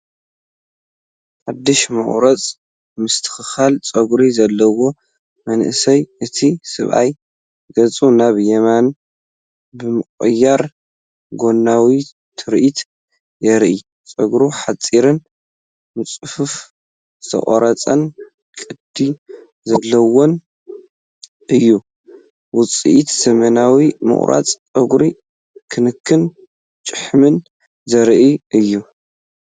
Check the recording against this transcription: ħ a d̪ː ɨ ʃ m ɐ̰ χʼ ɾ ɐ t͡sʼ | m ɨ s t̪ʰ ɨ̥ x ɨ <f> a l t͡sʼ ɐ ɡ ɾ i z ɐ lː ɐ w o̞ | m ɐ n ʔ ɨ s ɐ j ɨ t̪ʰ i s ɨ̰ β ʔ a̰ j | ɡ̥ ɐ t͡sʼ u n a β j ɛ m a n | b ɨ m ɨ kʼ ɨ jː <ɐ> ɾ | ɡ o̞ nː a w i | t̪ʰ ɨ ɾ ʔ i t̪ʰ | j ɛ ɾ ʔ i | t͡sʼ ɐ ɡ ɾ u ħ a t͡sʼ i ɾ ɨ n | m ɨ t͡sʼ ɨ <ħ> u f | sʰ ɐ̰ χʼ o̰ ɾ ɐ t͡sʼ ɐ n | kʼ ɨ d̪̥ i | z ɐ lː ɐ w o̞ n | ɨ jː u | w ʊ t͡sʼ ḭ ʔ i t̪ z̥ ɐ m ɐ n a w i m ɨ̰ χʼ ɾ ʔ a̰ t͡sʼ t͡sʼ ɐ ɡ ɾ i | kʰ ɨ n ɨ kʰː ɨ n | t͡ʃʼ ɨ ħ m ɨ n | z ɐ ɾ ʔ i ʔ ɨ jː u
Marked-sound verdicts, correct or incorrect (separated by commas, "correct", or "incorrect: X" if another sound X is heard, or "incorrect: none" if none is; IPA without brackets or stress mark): incorrect: x, incorrect: a, incorrect: f